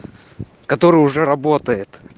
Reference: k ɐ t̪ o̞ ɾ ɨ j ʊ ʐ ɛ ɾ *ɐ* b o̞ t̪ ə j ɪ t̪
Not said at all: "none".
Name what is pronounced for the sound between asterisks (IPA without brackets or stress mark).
ɐ